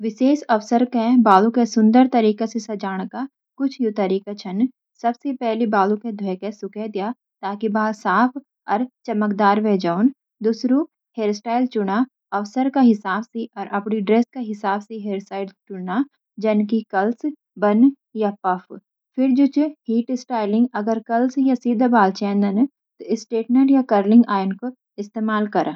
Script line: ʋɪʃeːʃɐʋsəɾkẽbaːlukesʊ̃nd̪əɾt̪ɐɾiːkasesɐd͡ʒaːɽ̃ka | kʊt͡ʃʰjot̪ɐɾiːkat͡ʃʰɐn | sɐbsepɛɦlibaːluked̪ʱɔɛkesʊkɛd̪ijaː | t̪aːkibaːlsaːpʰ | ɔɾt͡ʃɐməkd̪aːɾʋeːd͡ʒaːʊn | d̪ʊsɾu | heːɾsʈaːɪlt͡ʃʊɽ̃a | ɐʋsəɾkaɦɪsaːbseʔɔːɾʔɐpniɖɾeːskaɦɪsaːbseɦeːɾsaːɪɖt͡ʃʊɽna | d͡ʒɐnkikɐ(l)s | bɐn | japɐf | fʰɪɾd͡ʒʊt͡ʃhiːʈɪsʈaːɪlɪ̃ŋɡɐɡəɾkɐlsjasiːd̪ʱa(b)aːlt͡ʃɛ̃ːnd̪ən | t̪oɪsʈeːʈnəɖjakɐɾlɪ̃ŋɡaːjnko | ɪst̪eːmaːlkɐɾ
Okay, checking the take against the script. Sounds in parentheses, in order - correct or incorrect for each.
correct, correct

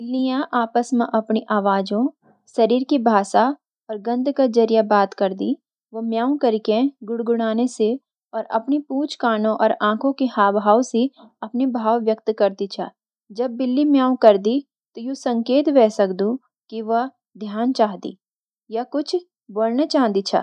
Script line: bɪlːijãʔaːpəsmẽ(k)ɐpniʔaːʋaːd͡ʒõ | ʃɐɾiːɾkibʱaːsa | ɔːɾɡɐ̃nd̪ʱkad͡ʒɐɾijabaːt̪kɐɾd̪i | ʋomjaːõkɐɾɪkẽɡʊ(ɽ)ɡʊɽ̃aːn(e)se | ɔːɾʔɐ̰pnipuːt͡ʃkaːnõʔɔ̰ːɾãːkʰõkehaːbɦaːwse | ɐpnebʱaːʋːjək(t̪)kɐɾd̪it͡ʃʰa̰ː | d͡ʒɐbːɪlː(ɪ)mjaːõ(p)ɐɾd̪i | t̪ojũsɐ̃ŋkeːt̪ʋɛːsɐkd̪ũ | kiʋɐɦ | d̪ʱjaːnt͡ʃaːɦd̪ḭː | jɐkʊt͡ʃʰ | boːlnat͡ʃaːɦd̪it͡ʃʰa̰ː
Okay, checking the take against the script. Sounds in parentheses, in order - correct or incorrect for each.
incorrect, correct, correct, correct, incorrect, incorrect

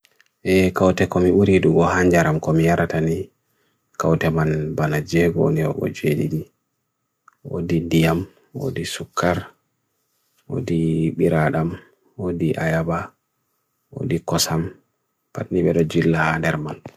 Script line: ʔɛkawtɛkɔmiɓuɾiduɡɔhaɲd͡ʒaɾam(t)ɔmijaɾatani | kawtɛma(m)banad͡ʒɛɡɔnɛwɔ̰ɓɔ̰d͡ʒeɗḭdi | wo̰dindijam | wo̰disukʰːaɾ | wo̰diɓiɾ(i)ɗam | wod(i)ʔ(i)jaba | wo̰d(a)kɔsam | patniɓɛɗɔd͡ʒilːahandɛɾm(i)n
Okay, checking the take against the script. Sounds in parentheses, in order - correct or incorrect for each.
incorrect, incorrect, incorrect, correct, incorrect, incorrect, incorrect

